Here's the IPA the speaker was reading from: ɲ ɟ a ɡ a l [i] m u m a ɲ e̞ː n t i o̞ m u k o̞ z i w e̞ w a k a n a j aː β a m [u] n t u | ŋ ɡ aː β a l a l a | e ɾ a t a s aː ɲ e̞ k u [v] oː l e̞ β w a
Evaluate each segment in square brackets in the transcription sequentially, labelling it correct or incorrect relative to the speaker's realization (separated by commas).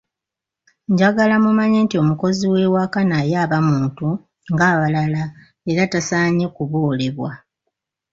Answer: incorrect, incorrect, incorrect